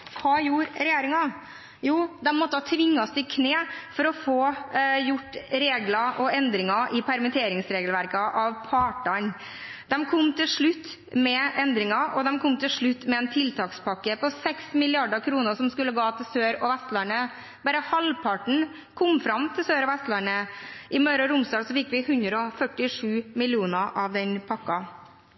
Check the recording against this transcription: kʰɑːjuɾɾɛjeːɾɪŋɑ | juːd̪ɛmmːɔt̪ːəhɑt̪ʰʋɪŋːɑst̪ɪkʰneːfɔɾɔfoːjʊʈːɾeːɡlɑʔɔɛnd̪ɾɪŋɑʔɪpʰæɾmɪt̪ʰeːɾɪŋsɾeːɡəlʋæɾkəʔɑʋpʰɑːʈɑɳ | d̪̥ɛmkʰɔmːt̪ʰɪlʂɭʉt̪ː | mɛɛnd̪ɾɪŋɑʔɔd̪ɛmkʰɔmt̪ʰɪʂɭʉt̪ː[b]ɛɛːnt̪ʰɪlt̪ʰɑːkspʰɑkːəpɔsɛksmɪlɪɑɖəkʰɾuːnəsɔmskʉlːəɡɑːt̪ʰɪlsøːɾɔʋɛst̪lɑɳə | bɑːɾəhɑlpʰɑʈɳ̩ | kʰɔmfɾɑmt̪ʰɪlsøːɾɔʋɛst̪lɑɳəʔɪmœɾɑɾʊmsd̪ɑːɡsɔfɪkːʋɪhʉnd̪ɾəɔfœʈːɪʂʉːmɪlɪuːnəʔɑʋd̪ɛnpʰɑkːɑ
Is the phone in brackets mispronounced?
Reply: yes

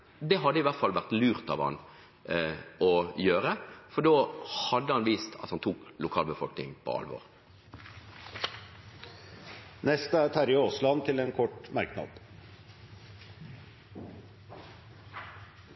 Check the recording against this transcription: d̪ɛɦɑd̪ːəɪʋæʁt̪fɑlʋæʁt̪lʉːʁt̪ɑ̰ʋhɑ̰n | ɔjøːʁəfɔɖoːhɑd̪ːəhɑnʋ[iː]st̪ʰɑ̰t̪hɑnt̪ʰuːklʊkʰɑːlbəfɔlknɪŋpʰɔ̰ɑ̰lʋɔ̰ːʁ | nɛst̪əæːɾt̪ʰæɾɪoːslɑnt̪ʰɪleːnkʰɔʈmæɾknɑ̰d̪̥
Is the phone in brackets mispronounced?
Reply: no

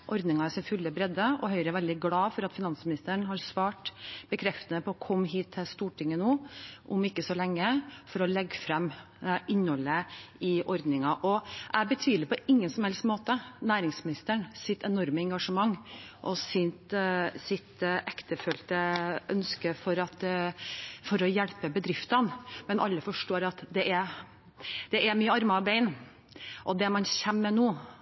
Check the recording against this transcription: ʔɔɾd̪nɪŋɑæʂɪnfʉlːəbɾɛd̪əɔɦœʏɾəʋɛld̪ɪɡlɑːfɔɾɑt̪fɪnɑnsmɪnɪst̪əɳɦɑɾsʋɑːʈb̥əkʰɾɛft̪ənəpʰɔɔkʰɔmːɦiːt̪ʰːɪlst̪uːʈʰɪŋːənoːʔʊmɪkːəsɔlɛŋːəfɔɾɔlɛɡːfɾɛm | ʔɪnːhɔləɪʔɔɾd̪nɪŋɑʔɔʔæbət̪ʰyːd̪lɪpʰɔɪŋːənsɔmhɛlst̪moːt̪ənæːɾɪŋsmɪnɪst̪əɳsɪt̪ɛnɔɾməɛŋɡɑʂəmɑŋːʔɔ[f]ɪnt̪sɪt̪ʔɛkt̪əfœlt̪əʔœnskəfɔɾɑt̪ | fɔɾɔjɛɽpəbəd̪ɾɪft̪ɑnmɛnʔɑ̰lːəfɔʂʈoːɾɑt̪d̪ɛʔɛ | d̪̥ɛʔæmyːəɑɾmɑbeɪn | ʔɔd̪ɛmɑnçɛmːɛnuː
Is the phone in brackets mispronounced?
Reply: yes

